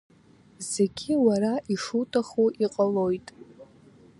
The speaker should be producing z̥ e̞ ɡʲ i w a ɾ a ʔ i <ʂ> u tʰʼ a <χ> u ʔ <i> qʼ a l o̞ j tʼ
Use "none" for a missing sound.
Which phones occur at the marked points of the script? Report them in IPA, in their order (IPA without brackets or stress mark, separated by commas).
ʂ, χ, i